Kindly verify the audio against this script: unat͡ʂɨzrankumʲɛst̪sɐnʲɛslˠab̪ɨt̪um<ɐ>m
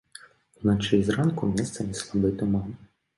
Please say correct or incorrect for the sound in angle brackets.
incorrect